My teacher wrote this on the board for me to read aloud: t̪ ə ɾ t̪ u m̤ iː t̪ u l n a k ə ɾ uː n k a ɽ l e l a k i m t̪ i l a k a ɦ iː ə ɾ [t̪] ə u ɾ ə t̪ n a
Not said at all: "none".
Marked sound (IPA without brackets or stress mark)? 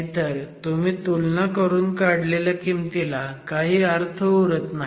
t̪ʰ